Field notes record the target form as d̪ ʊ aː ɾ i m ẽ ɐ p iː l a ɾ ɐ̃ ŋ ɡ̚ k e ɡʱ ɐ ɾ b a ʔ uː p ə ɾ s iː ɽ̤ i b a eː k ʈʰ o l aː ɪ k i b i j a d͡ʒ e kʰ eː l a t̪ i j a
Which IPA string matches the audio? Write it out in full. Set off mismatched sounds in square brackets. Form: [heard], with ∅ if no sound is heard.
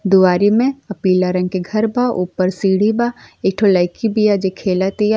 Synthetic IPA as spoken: d̪ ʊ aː ɾ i m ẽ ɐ p iː l a ɾ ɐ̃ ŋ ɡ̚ k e ɡʱ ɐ ɾ b a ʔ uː p ə ɾ s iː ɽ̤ i b a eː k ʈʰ o l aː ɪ k i b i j a d͡ʒ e kʰ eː l a t̪ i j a